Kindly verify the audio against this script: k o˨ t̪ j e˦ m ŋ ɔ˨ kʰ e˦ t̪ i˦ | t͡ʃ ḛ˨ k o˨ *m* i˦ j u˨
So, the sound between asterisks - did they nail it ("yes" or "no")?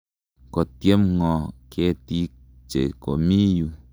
yes